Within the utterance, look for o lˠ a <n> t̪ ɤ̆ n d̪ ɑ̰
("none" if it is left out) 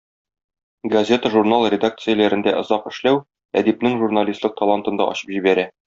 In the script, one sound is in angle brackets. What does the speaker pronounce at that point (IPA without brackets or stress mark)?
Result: n